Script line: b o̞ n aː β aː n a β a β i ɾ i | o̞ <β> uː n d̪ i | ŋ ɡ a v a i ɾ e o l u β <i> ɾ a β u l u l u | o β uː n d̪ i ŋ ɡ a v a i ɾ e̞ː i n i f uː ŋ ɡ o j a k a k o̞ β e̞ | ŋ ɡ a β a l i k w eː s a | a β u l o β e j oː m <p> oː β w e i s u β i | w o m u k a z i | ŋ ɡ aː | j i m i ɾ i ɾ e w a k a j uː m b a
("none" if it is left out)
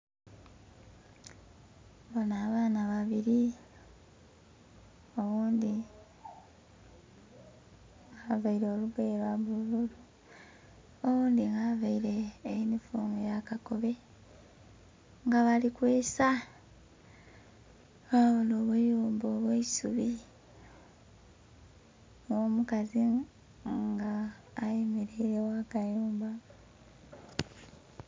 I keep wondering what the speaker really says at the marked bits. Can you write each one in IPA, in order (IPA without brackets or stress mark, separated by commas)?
β, e, b